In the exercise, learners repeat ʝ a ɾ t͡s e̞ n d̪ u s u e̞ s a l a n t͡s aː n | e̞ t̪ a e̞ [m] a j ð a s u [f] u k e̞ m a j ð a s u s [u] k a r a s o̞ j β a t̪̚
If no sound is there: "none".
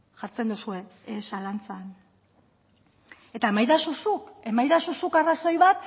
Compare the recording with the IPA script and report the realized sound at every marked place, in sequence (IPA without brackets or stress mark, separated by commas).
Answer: m, s, u